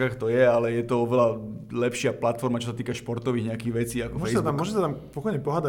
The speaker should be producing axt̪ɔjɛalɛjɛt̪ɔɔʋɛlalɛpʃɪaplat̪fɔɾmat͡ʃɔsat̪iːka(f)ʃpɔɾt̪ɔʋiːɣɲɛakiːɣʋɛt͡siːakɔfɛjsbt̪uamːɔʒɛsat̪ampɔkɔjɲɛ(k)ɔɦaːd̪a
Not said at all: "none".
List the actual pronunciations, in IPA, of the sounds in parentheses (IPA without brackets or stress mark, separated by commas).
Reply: none, p